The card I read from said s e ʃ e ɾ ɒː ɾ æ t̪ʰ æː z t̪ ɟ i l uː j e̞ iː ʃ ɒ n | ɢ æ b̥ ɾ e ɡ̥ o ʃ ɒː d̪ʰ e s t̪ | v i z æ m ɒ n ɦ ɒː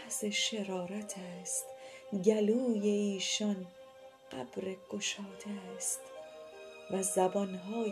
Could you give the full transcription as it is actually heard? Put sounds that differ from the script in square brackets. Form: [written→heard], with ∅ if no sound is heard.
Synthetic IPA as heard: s e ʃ e ɾ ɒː ɾ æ t̪ʰ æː [z→s] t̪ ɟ [i→æ] l uː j e̞ iː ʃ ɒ n | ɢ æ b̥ ɾ e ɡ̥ o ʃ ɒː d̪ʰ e s t̪ | v [i→æ] z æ [m→b] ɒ n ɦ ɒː